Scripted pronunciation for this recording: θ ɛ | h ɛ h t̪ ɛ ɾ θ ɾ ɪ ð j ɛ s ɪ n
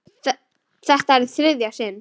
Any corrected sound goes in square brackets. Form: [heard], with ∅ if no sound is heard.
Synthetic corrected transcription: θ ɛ | [θ] ɛ h t̪ [a] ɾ θ ɾ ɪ ð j [a] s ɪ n

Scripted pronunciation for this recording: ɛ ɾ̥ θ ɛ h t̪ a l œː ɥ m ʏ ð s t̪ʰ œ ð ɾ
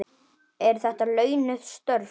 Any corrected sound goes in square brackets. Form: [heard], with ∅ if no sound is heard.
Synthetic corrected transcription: ɛ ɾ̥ θ ɛ h t̪ a l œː ɥ [n] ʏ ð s [t̪] œ [∅] ɾ

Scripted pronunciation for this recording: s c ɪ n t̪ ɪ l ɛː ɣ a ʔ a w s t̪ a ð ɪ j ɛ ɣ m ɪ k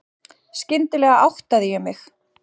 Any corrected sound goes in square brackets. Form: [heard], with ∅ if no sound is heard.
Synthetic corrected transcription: s c ɪ n t̪ ɪ l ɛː ɣ a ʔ a w [h] t̪ a ð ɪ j ɛ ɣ m ɪ [x]

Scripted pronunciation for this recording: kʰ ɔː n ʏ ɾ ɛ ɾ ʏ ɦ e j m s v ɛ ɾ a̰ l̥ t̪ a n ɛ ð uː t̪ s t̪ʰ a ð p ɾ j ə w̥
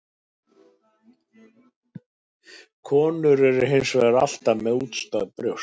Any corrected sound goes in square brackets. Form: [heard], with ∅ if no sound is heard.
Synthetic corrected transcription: kʰ ɔː n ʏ ɾ ɛ ɾ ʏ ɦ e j [n] s v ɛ ɾ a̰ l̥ t̪ a [m] ɛ ð uː t̪ s [t̪] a ð p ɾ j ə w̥

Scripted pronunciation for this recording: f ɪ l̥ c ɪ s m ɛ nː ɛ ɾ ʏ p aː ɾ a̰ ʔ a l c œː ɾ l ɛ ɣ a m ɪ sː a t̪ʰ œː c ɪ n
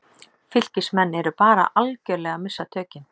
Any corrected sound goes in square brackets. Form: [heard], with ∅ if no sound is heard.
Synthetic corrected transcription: f ɪ l̥ c ɪ s m ɛ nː ɛ ɾ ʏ p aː ɾ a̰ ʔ a l c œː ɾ l ɛ ɣ a m ɪ sː a t̪ʰ œː c ɪ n

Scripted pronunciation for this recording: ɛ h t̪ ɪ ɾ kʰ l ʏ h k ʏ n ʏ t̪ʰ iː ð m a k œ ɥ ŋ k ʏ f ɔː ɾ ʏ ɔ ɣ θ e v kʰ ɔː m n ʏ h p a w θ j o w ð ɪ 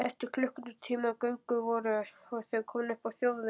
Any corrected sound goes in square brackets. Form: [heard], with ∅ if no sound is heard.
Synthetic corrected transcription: ɛ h t̪ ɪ ɾ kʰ l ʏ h k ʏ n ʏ t̪ʰ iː [∅] m a k œ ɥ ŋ k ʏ [v] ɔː ɾ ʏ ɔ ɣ θ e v kʰ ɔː m n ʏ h p a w θ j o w ð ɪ

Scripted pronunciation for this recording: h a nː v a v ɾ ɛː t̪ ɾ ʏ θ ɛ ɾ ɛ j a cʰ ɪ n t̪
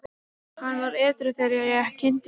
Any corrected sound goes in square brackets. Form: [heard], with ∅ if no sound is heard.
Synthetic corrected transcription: h a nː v a [∅] ɾ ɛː t̪ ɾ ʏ θ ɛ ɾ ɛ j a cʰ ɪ n t̪

